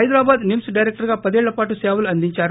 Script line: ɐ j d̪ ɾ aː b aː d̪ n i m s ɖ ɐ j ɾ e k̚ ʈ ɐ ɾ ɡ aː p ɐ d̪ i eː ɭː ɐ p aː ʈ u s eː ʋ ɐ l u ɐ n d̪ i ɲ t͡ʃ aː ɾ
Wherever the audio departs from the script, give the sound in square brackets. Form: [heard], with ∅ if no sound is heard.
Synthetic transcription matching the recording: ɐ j d̪ ɾ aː b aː d̪ n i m s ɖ ɐ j ɾ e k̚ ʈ ɐ ɾ ɡ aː p ɐ d̪ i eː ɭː ɐ p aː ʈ u s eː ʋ ɐ l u ɐ n d̪ i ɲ t͡ʃ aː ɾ